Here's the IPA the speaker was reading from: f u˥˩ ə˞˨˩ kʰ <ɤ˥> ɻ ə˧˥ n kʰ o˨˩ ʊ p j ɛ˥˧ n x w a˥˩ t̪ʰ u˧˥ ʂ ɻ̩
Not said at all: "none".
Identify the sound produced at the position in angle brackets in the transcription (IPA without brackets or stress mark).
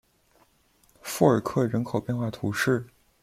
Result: ɤ˥˩